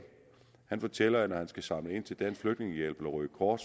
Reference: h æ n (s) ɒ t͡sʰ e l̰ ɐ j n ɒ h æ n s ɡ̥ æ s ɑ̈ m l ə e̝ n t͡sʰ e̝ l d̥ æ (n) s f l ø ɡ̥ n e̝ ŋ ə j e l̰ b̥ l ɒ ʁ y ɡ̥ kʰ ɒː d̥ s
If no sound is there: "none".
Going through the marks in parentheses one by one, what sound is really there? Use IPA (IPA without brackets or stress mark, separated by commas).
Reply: f, n